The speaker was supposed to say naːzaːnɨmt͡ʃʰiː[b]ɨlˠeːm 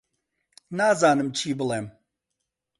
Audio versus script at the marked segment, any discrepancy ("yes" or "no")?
no